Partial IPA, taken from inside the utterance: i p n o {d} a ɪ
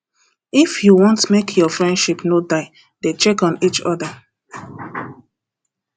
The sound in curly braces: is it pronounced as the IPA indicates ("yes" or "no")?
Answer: yes